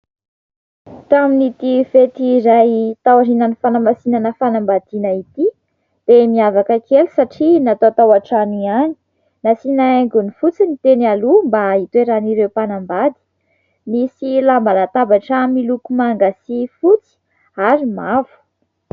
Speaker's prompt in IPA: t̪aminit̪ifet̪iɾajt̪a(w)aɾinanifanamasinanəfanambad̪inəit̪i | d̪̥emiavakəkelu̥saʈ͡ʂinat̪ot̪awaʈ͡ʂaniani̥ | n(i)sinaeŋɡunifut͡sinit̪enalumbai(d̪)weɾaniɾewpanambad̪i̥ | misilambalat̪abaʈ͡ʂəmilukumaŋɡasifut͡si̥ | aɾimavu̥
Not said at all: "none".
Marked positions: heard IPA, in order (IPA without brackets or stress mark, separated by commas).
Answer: w, a, t̪